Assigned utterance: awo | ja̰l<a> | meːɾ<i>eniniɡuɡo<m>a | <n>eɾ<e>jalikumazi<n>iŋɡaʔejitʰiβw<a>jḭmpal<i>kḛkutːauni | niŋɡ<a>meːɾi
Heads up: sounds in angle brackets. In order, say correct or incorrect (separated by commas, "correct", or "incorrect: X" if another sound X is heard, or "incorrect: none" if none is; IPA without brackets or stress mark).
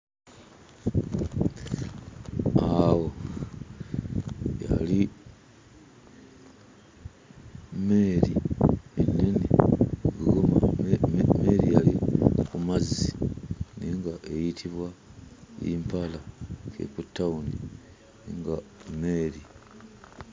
incorrect: i, correct, correct, incorrect: m, incorrect: i, correct, correct, incorrect: a, correct